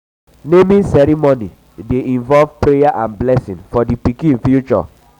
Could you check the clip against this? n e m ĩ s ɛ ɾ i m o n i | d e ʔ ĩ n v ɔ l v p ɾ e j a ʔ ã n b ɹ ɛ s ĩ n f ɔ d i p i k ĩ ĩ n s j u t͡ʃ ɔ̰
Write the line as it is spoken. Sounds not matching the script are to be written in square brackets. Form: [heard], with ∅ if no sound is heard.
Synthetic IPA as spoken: n e m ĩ s ɛ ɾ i m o n i | d e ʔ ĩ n v ɔ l v p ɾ e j a ʔ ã n b [l] ɛ s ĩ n f ɔ d i p i k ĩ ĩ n [f] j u t͡ʃ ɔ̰